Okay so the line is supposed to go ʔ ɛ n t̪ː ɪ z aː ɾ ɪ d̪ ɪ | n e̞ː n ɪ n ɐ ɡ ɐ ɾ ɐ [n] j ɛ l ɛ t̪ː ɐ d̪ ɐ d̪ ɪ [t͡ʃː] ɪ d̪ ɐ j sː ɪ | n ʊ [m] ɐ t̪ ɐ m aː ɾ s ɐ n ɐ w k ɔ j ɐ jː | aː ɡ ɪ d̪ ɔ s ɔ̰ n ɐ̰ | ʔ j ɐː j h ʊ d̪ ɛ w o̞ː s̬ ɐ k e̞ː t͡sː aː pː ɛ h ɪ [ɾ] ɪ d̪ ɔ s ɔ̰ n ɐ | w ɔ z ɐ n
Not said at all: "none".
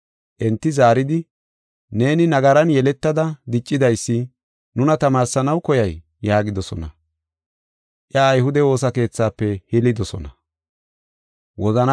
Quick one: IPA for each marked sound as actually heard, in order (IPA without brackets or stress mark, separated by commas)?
n, t͡ʃʼː, n, l